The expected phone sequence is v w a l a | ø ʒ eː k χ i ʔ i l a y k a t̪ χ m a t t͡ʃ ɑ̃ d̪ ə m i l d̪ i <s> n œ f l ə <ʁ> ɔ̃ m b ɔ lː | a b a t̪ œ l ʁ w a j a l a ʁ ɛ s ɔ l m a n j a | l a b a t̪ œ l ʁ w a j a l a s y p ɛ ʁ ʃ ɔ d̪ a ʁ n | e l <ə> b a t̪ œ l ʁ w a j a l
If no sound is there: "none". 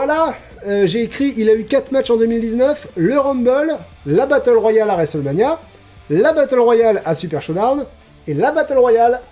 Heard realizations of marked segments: z, ʁ, a

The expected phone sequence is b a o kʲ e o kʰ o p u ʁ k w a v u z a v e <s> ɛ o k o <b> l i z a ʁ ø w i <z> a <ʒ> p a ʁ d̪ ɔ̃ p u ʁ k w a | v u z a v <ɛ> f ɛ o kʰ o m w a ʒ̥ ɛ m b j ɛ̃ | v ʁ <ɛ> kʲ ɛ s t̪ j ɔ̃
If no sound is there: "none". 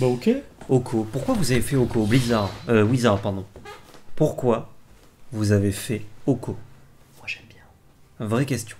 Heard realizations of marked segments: f, b, z, ʁ, e, ɛ

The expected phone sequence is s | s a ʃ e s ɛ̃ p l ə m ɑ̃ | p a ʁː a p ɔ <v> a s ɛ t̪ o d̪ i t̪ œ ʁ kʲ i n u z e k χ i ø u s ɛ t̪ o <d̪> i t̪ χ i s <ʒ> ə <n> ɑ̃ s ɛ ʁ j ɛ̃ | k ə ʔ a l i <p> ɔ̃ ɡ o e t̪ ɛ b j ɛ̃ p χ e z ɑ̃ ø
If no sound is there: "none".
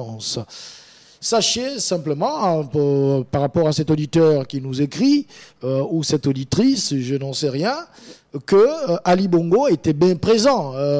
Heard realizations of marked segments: ʁ, d̪, ʒ, n, b

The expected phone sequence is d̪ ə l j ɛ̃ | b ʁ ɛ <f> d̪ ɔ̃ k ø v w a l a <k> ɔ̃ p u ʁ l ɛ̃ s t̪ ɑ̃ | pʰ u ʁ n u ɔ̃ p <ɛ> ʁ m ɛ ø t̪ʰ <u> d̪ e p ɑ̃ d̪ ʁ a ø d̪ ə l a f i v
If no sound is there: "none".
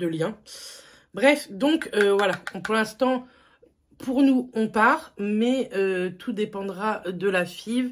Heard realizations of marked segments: f, none, a, u

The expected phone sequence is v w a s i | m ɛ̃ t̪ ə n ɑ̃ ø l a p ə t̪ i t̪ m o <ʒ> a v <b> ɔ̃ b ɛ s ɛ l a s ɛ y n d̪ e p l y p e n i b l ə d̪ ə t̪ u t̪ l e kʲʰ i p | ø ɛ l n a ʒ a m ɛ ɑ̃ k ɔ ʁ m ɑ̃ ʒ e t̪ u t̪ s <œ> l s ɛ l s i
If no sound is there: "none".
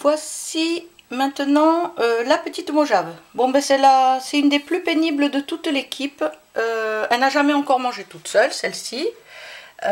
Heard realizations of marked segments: ʒ, b, œ

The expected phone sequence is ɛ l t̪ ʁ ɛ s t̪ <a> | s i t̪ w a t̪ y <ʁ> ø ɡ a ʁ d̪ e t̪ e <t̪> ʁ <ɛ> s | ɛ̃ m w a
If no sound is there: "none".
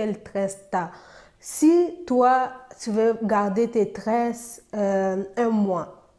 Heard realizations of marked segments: a, v, t̪, ɛ

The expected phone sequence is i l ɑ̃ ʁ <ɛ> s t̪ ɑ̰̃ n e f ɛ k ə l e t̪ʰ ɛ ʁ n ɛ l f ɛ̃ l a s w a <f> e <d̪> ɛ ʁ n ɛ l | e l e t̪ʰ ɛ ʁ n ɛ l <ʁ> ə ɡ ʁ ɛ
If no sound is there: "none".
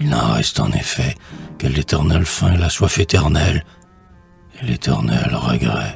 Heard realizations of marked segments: ɛ, f, t̪, ʁ

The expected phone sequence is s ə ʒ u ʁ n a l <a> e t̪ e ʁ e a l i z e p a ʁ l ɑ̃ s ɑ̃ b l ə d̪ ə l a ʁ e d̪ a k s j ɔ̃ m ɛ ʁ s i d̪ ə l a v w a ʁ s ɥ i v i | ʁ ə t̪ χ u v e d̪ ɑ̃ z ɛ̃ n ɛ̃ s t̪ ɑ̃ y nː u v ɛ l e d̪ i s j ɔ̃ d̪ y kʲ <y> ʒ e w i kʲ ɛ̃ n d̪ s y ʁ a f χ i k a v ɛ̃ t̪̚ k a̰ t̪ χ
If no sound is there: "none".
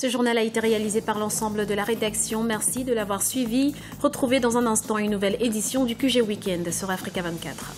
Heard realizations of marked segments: a, y

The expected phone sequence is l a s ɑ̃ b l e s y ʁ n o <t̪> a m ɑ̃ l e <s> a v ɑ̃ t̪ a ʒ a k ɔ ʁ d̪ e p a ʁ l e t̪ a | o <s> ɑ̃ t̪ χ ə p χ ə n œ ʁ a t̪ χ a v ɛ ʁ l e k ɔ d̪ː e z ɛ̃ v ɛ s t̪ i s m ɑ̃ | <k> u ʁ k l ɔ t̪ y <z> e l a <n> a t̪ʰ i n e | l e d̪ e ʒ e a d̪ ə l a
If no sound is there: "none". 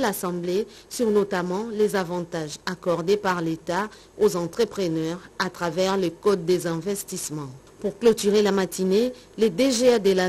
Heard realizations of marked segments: t̪, z, z, p, ʁ, m

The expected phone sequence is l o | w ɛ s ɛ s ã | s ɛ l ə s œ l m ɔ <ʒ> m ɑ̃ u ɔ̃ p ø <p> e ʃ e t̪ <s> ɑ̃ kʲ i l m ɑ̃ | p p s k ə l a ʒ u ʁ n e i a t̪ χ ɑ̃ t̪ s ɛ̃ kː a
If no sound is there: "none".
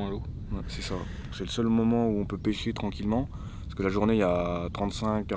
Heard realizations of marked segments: none, p, χ

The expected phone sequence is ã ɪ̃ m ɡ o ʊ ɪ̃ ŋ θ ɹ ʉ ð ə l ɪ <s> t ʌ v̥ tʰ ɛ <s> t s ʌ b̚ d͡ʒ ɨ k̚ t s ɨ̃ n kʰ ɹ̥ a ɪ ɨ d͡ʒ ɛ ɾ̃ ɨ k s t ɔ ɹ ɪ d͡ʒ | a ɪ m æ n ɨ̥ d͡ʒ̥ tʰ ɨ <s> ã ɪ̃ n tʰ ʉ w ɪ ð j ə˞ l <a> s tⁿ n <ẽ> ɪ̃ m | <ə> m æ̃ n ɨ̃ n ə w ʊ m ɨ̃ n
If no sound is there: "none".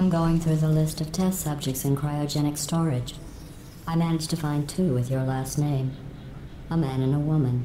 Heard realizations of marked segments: s, s, f, æ, ẽ, ə

